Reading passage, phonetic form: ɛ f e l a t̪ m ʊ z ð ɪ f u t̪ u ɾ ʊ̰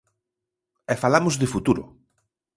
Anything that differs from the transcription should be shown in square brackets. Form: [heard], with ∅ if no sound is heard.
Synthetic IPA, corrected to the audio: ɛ f [a] l a [∅] m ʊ z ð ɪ f u t̪ u ɾ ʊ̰